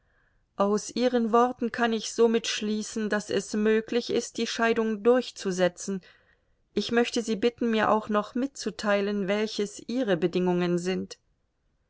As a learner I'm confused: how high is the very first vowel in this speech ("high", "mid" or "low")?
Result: low